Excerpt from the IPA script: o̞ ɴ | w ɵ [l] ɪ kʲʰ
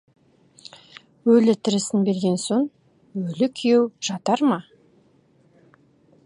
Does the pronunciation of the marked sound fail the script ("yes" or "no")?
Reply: no